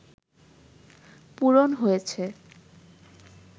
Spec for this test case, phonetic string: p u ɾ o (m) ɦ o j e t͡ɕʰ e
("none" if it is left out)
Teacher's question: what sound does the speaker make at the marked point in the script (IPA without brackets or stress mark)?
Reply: n